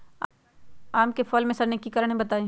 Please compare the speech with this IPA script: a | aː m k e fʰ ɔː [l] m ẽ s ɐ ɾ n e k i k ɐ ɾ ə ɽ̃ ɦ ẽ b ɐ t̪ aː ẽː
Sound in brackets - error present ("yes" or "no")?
no